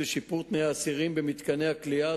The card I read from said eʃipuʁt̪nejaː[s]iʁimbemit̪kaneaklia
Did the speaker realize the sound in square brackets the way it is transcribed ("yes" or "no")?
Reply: yes